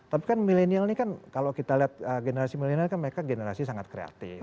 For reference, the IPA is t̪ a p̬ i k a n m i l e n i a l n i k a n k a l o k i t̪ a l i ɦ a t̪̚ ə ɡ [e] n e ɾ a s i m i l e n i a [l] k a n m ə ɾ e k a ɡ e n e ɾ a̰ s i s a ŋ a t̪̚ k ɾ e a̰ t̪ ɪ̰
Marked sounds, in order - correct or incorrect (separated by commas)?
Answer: correct, correct